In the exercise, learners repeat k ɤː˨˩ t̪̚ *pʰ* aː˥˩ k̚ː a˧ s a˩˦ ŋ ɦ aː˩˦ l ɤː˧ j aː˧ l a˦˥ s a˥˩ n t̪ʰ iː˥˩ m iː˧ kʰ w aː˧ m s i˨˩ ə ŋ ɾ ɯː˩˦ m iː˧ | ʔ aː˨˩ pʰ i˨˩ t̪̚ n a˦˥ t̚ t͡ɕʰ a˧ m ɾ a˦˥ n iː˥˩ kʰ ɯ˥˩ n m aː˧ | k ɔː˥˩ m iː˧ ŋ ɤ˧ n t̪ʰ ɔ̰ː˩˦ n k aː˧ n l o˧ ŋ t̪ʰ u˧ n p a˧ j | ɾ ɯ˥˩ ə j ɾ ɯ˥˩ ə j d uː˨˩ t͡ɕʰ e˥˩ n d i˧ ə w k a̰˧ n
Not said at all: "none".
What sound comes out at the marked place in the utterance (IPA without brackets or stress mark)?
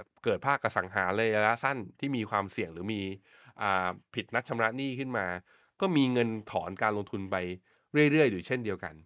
pʰ